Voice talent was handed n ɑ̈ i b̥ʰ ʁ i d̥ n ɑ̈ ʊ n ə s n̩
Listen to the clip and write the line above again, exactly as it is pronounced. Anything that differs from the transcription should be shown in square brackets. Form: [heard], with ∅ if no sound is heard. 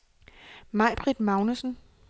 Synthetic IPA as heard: [m] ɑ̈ [ɪ] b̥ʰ ʁ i d̥ [m] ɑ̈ ʊ n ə s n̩

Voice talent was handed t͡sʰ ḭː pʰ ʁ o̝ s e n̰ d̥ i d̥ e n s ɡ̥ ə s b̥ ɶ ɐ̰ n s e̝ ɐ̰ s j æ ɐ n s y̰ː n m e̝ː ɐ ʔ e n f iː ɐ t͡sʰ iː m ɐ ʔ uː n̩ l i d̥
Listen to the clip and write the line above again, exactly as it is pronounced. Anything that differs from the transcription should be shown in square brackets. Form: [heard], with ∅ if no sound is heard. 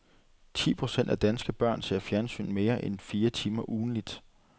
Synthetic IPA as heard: t͡sʰ ḭː pʰ ʁ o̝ s e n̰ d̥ [æ] d̥ [æ] n s ɡ̥ ə [∅] b̥ ɶ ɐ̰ n s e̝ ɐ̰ [f] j æ ɐ n s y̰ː n m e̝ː ɐ ʔ e n f iː ɐ t͡sʰ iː m ɐ ʔ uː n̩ l i d̥

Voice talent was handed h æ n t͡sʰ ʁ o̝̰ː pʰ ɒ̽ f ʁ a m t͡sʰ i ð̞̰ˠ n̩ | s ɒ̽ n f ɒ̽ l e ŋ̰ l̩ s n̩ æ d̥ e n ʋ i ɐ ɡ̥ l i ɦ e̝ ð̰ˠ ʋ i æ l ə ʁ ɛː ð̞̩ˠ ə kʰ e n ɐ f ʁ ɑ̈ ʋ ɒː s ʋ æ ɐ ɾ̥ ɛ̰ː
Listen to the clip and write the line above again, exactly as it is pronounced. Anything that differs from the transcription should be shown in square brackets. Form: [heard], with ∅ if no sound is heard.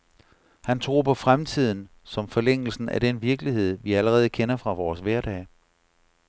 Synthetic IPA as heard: h æ n t͡sʰ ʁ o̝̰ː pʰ ɒ̽ f ʁ a m t͡sʰ i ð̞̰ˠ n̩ | s ɒ̽ [m] f ɒ̽ l e ŋ̰ l̩ s n̩ æ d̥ e n ʋ i ɐ ɡ̥ l i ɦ e̝ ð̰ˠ ʋ i æ l ə ʁ ɛː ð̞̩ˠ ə kʰ e n ɐ f ʁ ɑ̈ ʋ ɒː s ʋ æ ɐ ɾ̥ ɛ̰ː

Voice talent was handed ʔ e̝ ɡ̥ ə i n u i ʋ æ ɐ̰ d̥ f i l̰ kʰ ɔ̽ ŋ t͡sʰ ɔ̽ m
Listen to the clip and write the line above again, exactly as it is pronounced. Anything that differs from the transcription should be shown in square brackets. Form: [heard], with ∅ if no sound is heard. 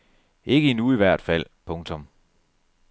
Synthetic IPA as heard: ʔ e̝ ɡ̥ ə i n u i ʋ æ ɐ̰ d̥ f [æ] l̰ [pʰ] ɔ̽ ŋ t͡sʰ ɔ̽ m

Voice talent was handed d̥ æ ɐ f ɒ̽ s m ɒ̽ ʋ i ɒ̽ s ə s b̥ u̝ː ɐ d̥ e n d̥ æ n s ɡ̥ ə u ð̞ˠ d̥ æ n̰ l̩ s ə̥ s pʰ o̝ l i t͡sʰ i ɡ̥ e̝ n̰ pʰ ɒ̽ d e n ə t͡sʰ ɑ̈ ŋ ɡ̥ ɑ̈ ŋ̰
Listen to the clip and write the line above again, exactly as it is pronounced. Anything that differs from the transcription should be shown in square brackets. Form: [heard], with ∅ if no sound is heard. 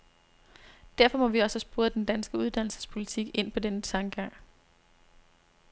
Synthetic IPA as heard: d̥ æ ɐ f ɒ̽ [∅] m ɒ̽ ʋ i ɒ̽ s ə s b̥ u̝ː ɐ d̥ e n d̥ æ n s ɡ̥ ə u ð̞ˠ d̥ æ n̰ l̩ s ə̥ s pʰ o̝ l i t͡sʰ i ɡ̥ e̝ n̰ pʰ ɒ̽ d e n ə t͡sʰ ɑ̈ ŋ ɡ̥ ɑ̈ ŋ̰

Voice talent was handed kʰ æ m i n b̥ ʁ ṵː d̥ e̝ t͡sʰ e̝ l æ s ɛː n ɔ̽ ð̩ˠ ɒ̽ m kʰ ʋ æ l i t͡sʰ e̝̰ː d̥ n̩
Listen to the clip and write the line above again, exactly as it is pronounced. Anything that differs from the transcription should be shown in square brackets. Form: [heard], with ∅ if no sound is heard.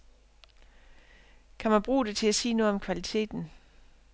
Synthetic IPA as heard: kʰ æ m [æ] n b̥ ʁ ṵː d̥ e̝ t͡sʰ e̝ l æ s [iː] n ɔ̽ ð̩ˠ ɒ̽ m kʰ ʋ æ l i t͡sʰ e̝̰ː d̥ n̩

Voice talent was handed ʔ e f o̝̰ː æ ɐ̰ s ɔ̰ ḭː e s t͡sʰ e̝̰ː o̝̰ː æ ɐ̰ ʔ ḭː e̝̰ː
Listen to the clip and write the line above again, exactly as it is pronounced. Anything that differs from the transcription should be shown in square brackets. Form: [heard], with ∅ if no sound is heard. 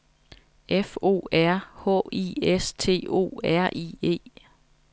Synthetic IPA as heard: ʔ e f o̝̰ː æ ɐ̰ [h] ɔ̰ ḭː e s t͡sʰ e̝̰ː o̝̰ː æ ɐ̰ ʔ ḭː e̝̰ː

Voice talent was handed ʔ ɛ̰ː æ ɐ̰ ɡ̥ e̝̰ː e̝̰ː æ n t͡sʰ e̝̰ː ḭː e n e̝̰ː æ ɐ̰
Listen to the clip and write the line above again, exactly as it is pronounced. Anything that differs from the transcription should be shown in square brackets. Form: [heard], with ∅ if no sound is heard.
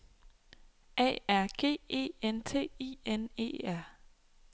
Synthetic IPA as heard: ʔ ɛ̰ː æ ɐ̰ ɡ̥ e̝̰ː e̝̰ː [e] n t͡sʰ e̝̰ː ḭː e n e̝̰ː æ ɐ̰

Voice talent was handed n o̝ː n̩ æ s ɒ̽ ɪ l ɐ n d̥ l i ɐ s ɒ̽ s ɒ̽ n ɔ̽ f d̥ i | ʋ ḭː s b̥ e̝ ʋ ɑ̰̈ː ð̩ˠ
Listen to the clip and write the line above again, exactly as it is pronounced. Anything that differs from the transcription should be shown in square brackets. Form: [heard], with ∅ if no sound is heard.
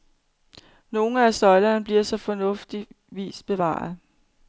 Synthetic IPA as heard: n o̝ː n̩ æ s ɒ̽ ɪ l ɐ n [b̥] l i ɐ s ɒ̽ [f] ɒ̽ n ɔ̽ f d̥ i | ʋ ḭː s b̥ e̝ ʋ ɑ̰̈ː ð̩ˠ

